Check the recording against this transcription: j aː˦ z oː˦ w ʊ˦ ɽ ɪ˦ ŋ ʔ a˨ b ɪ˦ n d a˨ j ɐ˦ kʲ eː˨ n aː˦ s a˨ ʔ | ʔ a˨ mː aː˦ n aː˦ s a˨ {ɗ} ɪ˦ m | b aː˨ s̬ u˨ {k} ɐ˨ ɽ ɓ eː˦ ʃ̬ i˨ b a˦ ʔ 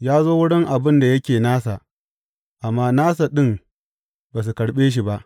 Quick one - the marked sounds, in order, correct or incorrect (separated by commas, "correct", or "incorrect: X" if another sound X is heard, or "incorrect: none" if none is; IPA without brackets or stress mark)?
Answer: correct, correct